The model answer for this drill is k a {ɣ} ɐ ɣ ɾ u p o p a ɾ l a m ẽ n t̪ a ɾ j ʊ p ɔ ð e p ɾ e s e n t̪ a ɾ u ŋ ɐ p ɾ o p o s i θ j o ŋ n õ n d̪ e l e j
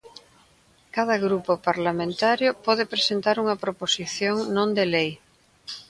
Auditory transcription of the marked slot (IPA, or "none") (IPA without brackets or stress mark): ð